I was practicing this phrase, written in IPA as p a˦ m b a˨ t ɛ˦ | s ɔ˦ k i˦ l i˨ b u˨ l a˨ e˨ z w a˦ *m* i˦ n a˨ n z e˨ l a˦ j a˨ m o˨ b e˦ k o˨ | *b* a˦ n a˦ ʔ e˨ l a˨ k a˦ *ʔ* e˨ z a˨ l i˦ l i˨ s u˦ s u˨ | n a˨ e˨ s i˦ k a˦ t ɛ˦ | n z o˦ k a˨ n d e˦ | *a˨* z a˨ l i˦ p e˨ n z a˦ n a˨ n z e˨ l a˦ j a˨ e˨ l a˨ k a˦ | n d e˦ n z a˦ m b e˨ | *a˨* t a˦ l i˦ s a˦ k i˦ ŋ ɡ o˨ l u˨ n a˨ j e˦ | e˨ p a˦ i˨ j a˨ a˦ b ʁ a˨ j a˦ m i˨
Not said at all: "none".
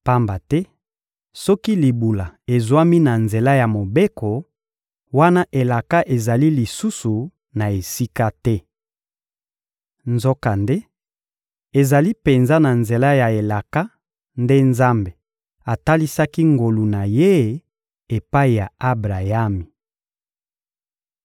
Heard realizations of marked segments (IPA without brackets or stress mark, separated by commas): m, w, ʔ, e˨, a˨